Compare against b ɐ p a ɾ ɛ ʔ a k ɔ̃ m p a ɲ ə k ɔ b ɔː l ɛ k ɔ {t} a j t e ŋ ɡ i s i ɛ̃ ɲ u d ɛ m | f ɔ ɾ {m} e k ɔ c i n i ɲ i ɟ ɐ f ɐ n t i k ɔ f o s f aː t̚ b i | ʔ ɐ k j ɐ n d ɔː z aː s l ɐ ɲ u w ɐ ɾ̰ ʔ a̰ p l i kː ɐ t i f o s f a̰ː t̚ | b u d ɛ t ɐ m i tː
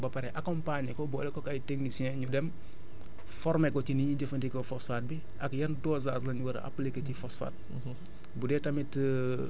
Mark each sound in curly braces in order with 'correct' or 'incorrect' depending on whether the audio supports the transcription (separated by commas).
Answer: incorrect, correct